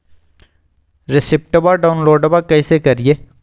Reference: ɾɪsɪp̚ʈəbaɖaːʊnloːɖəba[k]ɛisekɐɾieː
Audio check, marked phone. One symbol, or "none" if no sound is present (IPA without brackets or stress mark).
k